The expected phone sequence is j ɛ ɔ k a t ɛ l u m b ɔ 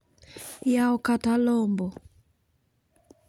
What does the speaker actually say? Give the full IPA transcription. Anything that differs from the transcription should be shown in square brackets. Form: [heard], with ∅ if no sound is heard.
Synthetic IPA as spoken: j [a] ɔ k a t [a] l [ɔ] m b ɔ